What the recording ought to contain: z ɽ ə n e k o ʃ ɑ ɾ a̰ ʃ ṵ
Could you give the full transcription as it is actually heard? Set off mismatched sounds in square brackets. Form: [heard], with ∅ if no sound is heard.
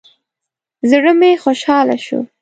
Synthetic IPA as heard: z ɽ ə [m] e [x] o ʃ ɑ [l] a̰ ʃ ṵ